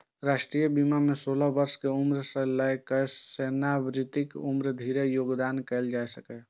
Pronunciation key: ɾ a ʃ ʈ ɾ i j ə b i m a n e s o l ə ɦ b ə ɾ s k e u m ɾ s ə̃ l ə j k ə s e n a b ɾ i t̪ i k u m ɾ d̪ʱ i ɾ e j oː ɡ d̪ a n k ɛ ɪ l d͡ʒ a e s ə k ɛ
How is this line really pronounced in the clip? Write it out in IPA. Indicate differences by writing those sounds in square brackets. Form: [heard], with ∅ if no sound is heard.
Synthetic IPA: ɾ a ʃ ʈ ɾ i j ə b i m a [m] e s o l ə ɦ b ə ɾ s k e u m ɾ s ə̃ l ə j k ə s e n a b ɾ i t̪ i k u m ɾ d̪ʱ i ɾ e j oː ɡ d̪ a n k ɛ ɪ l d͡ʒ a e s ə k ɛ